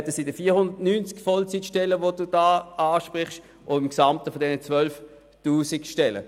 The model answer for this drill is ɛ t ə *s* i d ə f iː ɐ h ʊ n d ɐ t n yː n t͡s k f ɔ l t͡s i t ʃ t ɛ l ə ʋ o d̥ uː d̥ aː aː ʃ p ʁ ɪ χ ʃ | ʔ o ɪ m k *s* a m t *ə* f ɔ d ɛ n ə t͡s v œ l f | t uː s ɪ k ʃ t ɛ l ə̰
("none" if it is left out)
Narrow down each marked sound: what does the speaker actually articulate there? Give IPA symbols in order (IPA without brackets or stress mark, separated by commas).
s, s, ə